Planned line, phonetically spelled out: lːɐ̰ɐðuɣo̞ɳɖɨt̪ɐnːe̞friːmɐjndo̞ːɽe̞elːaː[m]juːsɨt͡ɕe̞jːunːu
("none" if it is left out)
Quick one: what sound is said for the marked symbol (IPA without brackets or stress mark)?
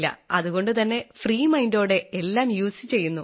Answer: m